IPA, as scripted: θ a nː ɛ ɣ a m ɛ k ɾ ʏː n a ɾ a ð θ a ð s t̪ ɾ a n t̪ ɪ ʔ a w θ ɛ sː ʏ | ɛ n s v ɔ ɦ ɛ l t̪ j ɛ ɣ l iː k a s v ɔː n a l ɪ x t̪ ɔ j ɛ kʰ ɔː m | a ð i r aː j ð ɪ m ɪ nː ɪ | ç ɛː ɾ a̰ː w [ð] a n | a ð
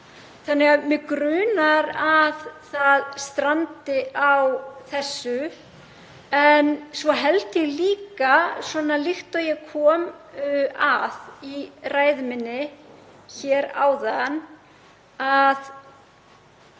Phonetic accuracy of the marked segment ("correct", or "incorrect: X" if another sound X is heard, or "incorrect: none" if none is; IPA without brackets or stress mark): correct